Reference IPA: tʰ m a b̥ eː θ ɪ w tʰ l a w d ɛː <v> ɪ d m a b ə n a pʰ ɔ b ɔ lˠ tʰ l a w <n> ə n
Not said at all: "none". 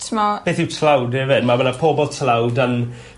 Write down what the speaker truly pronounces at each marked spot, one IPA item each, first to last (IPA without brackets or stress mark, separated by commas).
v, d